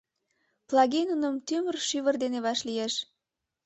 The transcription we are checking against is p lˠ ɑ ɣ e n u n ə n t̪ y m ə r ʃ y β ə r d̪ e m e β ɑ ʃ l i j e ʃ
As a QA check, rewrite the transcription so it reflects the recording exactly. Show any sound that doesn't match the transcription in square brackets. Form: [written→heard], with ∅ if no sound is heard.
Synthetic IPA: p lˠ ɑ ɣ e n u n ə [n→m] t̪ y m ə r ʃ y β ə r d̪ e [m→n] e β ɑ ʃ l i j e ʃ